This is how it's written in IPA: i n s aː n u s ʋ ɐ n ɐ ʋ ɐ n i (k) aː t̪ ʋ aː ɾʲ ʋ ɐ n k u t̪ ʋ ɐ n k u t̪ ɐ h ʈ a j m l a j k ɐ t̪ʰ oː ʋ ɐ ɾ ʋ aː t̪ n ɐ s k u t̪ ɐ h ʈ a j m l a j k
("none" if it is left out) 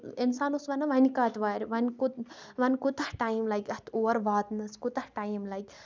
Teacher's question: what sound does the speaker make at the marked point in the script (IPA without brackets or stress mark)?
k